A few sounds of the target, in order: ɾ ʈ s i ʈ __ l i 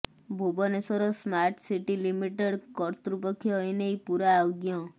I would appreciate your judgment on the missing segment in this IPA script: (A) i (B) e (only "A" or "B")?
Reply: A